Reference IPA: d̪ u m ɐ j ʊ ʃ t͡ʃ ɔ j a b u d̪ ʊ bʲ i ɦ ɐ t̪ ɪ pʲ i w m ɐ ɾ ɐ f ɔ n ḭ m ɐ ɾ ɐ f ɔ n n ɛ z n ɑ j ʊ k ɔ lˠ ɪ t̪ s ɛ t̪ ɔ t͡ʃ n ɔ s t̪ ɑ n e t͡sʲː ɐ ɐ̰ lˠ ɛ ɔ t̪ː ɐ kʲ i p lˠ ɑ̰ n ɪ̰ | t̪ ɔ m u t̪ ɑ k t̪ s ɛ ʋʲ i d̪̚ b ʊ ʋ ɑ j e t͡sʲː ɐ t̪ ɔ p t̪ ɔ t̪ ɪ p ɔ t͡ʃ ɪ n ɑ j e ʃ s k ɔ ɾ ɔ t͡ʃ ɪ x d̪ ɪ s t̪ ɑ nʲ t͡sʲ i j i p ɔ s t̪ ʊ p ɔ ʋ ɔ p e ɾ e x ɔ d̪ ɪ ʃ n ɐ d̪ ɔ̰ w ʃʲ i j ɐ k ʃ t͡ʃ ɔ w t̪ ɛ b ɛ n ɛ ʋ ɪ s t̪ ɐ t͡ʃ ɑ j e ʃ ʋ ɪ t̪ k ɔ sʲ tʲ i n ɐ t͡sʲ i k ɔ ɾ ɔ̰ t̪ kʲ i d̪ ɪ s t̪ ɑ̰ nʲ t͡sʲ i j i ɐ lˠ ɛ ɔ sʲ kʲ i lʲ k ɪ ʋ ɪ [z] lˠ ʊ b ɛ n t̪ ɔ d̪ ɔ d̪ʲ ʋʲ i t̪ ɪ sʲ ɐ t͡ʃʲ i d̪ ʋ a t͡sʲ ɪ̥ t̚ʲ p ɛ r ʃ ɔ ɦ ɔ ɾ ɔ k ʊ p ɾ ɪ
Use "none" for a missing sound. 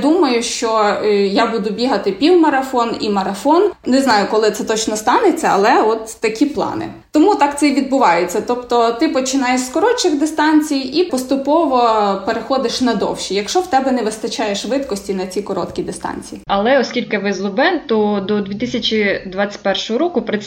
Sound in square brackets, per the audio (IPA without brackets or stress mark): z